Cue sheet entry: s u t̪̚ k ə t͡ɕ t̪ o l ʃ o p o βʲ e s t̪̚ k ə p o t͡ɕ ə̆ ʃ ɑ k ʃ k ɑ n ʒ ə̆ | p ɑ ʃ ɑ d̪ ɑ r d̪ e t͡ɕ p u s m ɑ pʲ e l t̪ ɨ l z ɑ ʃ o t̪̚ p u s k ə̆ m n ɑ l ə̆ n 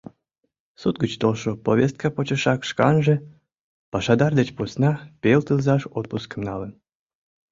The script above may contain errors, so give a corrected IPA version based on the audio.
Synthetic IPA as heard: s u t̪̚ ɡ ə t͡ɕ t̪ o l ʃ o p o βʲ e s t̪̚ k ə p o t͡ɕ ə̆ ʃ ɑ k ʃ k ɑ n ʒ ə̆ | p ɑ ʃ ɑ d̪ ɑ r d̪ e t͡ɕ p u s n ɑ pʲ e l t̪ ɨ l z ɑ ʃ o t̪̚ p u s k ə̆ m n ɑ l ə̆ n